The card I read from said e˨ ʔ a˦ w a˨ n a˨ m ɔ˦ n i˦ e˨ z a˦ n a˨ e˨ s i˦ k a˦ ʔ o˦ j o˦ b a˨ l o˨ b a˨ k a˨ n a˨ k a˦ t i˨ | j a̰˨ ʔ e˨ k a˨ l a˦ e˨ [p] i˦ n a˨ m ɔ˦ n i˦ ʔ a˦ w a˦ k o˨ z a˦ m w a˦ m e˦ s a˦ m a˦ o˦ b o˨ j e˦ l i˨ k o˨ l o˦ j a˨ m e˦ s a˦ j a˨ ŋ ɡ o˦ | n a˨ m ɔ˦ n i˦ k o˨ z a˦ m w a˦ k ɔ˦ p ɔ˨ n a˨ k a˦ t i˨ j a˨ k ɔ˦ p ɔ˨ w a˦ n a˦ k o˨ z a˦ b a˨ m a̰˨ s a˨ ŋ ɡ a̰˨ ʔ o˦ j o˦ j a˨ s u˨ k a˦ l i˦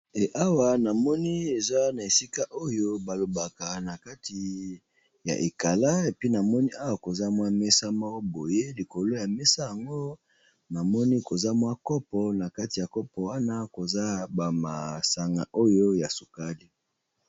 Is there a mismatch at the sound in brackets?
no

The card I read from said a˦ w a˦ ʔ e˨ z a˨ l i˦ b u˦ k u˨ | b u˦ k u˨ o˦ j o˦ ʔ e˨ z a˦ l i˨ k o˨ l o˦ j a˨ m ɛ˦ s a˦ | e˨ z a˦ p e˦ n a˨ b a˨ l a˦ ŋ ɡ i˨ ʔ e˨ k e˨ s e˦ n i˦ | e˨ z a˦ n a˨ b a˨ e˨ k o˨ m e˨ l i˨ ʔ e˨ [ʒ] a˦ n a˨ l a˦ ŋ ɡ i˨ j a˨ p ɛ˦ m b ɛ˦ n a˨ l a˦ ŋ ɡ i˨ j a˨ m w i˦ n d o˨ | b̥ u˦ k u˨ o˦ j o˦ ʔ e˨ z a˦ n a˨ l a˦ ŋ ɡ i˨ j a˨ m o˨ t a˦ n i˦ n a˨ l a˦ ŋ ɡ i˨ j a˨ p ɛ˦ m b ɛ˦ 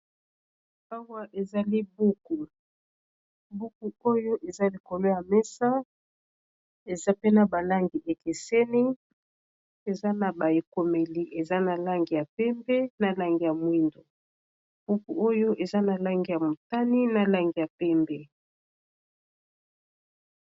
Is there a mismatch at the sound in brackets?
yes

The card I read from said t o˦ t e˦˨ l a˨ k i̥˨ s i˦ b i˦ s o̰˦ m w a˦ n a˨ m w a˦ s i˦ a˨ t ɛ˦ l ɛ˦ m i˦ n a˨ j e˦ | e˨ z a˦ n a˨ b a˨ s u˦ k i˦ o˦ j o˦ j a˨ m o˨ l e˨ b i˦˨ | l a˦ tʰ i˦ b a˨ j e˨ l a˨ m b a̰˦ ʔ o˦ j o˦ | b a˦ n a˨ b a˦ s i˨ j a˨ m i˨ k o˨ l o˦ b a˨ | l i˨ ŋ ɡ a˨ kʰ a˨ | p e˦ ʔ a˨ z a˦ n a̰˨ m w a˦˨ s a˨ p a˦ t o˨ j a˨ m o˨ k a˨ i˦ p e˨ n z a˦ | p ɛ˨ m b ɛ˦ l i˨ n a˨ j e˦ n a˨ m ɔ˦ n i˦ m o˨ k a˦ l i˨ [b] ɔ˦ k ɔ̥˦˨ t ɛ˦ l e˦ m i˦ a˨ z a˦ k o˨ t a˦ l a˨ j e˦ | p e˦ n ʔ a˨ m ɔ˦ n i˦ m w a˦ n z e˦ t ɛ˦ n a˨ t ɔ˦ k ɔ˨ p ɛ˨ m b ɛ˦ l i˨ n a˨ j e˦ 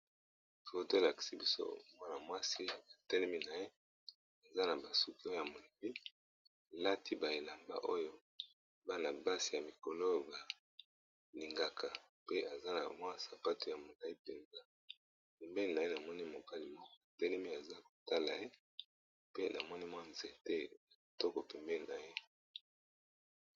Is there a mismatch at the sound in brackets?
yes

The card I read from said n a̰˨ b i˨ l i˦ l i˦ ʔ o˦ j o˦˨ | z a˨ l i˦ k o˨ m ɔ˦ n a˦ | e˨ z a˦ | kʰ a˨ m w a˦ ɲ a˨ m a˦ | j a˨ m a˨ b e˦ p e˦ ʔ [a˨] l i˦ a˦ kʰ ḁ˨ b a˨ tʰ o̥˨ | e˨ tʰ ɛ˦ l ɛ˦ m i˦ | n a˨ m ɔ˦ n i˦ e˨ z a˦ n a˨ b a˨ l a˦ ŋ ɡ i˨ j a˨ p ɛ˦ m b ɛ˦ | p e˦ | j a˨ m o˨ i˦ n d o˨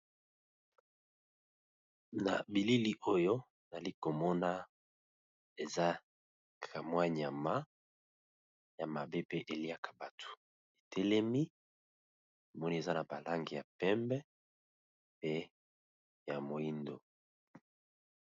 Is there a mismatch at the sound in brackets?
yes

